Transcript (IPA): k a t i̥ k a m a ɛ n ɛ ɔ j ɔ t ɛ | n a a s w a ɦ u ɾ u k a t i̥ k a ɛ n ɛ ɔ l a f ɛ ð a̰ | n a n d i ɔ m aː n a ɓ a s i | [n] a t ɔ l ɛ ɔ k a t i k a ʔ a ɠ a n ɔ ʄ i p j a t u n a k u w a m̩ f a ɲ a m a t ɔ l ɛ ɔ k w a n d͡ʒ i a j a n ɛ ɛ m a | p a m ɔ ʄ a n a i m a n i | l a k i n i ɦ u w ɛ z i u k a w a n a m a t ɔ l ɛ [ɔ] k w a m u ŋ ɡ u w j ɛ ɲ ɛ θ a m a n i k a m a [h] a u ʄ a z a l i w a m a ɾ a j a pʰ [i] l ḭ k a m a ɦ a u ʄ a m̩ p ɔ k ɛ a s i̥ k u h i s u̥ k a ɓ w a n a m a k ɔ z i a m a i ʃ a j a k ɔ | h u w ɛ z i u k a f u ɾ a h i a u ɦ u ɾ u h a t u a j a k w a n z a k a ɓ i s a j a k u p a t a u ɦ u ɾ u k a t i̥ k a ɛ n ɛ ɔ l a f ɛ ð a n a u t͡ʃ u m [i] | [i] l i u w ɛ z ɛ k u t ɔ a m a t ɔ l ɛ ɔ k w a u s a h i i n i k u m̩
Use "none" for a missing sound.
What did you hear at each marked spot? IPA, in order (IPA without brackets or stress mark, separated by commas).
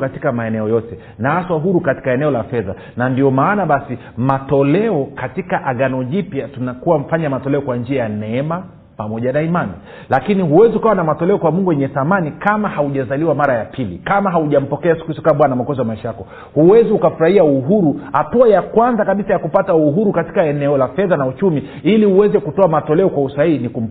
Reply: m, ɔ, h, i, i, i